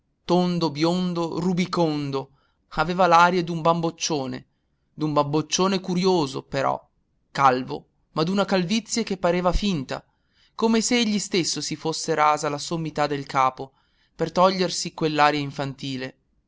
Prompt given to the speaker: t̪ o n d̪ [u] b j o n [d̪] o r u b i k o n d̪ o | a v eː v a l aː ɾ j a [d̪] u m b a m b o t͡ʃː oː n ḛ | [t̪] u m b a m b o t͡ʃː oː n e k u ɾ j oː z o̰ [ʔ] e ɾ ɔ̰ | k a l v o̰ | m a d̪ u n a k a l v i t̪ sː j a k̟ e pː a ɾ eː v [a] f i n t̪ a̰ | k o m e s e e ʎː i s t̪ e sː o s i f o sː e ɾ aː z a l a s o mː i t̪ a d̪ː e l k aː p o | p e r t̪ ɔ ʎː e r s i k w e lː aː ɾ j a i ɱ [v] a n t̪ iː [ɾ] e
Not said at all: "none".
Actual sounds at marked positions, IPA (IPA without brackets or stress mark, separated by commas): o, d̪, d̪, d̪, p, a, f, l